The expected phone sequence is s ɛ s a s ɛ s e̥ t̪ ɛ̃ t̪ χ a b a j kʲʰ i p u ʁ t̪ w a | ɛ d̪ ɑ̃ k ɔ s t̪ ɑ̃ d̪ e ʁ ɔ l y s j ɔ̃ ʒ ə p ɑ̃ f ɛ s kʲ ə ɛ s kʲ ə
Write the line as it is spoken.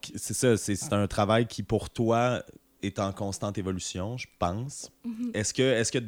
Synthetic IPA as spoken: s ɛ s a s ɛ s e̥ t̪ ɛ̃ t̪ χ a v a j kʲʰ i p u ʁ t̪ w a | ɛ t̪ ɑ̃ k ɔ̃ s t̪ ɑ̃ t̪ e v ɔ l y s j ɔ̃ ʒ ə p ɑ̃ s ɛ s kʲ ə ɛ s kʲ ə